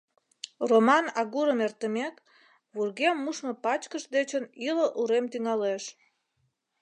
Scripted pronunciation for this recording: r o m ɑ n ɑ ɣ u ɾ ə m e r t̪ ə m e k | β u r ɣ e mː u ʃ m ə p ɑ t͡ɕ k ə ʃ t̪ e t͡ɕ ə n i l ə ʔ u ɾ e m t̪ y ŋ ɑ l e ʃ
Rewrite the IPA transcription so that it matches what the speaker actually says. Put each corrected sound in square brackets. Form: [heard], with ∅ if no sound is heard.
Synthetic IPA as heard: r o m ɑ n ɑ ɣ u ɾ ə m e r t̪ ə m e k | β u r ɣ e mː u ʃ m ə p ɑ t͡ɕ k ə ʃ [d̪] e t͡ɕ ə n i l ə ʔ u ɾ e m t̪ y ŋ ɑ l e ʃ